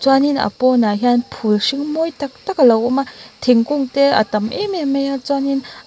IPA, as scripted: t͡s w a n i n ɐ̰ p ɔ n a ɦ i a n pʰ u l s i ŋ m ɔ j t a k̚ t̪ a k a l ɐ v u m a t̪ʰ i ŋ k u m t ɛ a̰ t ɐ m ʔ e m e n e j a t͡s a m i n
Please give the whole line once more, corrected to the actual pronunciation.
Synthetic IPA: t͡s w a n i n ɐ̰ p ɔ n a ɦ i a n pʰ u l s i ŋ m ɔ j t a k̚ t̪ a k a l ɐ w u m a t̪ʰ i ŋ k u ŋ t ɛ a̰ t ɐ m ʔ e m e m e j a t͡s a n i n